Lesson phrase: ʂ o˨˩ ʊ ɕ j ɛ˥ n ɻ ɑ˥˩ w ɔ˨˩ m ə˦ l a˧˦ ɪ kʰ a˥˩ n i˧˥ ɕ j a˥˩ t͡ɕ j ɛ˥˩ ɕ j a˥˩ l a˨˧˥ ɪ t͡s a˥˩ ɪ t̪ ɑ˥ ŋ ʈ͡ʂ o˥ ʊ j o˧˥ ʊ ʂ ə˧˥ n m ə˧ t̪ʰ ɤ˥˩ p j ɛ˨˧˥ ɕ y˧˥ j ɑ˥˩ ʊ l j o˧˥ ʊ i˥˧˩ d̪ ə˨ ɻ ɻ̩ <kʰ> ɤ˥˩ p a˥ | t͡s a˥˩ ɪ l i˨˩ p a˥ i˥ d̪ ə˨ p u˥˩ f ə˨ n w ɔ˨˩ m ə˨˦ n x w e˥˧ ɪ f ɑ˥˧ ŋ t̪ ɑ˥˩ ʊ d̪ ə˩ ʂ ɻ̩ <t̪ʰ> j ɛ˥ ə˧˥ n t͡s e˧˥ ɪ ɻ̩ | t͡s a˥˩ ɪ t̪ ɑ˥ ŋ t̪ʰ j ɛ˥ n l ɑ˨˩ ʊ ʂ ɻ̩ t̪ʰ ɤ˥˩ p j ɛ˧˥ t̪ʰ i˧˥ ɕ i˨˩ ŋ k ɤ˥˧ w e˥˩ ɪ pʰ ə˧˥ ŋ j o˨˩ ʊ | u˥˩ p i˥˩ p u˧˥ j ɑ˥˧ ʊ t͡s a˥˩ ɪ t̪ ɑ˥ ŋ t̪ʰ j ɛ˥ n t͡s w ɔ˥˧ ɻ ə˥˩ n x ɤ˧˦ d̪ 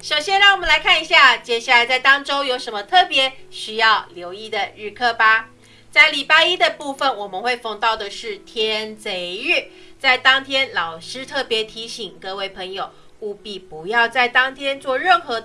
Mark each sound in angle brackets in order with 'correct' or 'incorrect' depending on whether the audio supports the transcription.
correct, correct

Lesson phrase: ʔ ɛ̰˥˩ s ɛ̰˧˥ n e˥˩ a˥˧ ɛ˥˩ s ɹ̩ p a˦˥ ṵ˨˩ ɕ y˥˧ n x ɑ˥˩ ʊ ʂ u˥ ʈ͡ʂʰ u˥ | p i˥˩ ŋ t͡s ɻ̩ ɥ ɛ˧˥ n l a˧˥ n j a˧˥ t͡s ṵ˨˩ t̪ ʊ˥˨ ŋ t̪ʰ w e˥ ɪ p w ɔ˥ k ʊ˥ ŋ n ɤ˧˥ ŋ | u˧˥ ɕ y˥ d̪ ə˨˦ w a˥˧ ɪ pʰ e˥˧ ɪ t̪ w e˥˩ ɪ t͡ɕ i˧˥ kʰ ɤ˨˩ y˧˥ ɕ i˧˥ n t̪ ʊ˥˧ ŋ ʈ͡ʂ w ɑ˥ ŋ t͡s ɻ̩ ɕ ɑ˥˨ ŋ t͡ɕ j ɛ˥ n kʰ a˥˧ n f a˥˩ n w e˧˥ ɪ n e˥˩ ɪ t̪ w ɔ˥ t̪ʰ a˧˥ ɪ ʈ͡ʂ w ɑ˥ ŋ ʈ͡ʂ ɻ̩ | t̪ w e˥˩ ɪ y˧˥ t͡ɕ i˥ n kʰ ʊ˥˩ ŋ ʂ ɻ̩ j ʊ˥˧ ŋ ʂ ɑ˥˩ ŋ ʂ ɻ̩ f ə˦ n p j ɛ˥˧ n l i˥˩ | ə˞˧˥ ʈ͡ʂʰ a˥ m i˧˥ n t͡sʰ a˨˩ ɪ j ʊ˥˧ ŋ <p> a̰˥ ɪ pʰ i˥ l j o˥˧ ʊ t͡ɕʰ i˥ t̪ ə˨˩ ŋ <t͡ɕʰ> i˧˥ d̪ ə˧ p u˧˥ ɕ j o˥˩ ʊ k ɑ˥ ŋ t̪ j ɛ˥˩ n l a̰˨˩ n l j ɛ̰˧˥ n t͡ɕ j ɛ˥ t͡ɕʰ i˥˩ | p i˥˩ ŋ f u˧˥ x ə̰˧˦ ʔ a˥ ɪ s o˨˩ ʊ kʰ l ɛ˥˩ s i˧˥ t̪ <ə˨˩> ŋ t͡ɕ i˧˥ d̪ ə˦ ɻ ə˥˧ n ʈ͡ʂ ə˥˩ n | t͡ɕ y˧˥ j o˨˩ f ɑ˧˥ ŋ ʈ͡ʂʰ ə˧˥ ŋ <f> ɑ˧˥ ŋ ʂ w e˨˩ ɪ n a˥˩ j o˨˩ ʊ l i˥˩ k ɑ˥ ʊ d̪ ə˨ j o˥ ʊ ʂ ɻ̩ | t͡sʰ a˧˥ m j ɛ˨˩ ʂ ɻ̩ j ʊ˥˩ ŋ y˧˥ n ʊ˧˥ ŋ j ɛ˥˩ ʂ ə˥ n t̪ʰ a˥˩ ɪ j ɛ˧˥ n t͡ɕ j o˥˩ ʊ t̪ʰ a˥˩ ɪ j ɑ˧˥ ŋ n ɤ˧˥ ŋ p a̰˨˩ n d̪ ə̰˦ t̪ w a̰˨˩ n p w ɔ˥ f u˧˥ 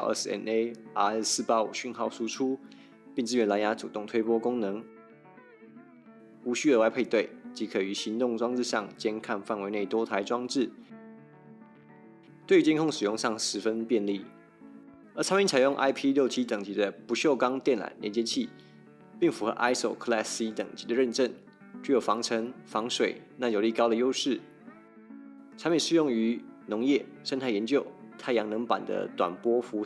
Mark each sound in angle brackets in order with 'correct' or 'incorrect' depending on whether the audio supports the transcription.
incorrect: ʔ, incorrect: t͡ɕ, correct, correct

